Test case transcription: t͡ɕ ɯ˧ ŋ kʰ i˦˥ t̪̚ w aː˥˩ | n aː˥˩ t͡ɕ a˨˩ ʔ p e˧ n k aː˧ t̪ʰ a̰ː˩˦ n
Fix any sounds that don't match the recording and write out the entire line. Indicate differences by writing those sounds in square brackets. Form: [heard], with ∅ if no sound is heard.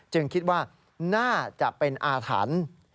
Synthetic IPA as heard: t͡ɕ ɯ˧ ŋ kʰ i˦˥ t̪̚ w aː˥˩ | n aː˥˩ t͡ɕ a˨˩ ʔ p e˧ n [ʔ] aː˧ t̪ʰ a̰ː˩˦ n